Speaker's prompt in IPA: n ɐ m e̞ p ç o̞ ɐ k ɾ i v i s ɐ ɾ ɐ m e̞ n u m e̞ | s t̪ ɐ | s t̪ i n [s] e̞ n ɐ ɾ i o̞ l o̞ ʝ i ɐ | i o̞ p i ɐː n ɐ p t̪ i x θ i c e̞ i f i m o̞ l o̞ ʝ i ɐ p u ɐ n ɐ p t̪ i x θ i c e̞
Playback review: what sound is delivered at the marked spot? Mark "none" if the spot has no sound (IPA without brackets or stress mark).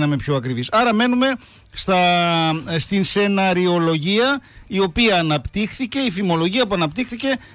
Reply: s